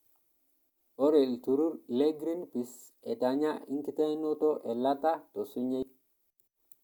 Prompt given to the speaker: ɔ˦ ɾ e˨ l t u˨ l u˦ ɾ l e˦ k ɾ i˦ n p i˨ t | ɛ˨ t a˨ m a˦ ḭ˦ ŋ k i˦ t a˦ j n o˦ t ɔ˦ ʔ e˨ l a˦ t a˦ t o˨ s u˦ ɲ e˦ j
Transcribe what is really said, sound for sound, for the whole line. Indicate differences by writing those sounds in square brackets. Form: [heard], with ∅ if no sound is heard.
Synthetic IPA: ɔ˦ ɾ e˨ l t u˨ [ɾ] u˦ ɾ l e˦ [ɡ] ɾ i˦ n p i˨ [s] | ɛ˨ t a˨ [ɲ] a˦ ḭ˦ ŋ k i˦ t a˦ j n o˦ t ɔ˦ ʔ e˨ l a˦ t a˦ t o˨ s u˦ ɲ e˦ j